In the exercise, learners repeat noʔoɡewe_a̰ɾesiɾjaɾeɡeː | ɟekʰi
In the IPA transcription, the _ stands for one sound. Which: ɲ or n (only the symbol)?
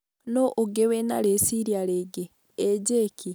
n